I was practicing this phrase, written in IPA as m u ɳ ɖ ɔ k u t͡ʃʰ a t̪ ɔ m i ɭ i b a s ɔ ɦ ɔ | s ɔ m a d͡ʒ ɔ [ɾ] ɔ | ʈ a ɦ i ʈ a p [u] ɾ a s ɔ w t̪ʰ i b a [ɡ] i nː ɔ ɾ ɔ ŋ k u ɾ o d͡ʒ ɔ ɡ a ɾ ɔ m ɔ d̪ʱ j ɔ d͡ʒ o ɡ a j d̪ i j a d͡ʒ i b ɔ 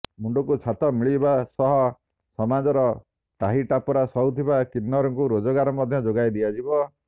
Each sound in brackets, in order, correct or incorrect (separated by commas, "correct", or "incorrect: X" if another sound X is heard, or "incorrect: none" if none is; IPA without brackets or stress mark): correct, incorrect: ɔ, incorrect: k